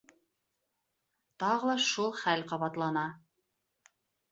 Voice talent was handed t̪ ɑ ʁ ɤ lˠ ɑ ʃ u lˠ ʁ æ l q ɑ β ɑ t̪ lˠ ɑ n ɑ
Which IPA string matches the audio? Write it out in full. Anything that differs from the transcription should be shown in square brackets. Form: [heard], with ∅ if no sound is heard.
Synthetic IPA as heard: t̪ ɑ ʁ ɤ lˠ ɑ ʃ u lˠ [χ] æ l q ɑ β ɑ t̪ lˠ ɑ n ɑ